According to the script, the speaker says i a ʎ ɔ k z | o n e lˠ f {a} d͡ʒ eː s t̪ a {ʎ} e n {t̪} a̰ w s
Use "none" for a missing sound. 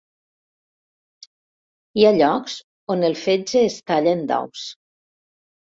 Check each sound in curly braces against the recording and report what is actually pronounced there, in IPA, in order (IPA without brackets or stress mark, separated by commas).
e, ʎ, d̪